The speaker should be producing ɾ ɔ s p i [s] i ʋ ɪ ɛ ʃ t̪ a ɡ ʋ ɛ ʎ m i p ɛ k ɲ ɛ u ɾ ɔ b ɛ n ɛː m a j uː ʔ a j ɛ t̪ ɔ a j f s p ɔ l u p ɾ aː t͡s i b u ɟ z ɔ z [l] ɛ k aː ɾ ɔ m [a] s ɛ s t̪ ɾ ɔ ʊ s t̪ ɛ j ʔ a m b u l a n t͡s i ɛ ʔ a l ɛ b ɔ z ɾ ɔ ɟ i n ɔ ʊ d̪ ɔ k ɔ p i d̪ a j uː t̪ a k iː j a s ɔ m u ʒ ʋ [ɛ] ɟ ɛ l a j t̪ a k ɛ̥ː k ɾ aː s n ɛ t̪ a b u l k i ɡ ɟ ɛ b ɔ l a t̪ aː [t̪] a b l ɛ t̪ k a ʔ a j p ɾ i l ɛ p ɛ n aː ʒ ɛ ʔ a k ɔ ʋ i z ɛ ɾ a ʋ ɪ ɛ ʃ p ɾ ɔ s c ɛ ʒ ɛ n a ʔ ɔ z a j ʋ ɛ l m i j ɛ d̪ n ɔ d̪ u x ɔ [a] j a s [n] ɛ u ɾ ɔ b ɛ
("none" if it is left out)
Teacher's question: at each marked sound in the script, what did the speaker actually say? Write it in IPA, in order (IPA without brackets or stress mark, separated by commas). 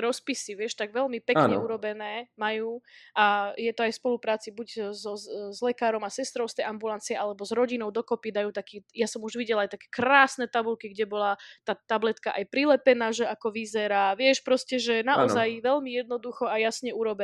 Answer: s, l, a, i, t̪, a, ɲ